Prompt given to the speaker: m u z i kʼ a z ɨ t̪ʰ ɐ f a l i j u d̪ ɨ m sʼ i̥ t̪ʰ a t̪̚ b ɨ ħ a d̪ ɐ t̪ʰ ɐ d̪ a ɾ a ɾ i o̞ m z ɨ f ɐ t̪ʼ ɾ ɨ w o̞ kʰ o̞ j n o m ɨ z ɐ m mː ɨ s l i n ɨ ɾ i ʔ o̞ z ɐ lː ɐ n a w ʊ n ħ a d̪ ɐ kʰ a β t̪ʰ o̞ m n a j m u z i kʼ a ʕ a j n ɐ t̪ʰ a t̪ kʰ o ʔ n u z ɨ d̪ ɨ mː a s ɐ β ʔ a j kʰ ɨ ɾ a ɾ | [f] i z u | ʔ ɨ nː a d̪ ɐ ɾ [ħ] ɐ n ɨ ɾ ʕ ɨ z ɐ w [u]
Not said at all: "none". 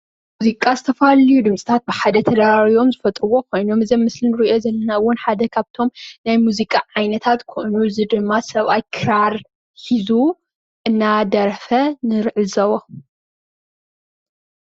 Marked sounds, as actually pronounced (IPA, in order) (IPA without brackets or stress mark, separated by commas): ħ, f, o